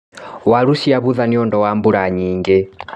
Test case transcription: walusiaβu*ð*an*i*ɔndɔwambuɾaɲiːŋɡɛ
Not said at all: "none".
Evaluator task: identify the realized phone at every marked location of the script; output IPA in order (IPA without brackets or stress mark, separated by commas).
ð, i